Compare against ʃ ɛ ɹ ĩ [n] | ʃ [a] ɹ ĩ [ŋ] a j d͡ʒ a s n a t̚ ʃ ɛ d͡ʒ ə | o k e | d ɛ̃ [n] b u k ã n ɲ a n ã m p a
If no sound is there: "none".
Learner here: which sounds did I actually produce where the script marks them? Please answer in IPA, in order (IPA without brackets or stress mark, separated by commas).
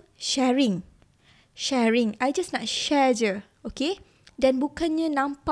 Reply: ŋ, ɛ, ŋ, n